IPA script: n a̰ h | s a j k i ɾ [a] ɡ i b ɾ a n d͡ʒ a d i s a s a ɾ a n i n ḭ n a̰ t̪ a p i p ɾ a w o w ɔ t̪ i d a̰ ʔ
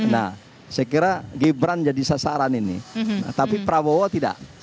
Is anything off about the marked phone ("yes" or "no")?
no